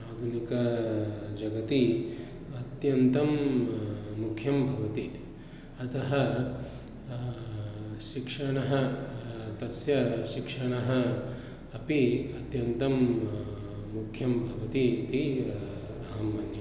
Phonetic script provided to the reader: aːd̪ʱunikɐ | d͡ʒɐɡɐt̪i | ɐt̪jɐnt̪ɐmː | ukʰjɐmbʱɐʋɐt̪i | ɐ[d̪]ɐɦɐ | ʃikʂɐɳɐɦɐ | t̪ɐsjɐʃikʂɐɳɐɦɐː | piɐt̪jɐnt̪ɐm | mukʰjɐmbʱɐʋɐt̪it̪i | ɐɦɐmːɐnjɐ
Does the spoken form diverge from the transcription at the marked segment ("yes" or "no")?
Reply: yes